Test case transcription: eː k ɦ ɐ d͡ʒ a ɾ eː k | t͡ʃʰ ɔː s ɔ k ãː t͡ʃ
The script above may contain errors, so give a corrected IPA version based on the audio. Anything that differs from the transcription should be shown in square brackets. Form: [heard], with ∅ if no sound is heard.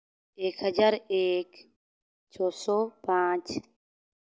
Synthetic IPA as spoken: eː k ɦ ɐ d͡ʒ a ɾ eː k | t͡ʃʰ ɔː s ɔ [p] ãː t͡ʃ

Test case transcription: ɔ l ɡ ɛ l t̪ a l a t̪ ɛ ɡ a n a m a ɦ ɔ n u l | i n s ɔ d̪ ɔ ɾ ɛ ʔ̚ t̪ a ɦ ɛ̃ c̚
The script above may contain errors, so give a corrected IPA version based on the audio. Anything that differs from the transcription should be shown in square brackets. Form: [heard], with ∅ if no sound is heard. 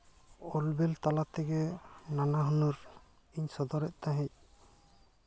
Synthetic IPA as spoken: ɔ l [b] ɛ l t̪ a l a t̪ ɛ ɡ [ɛ] n a [n] a ɦ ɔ n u [ɾ] | i [ɲ] s ɔ d̪ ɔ ɾ ɛ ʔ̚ t̪ a ɦ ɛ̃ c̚

